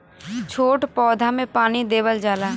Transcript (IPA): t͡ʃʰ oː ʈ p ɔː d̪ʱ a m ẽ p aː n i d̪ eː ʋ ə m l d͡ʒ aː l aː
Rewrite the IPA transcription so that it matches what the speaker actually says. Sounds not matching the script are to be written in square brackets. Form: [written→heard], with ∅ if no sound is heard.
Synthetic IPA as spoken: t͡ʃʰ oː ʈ p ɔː d̪ʱ a m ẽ p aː n i d̪ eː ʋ ə [m→∅] l d͡ʒ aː l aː